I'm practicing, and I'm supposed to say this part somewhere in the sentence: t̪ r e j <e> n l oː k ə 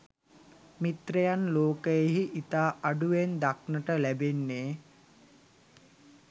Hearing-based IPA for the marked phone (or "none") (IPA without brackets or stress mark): a